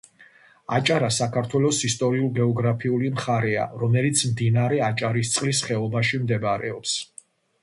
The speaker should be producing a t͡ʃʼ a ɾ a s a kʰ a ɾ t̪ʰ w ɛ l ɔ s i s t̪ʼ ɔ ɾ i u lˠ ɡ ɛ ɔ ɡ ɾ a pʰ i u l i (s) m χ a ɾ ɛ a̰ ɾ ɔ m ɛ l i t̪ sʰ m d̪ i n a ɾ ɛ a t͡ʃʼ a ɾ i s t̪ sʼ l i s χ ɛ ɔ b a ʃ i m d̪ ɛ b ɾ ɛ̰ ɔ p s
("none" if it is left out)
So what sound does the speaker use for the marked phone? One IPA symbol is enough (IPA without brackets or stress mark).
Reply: none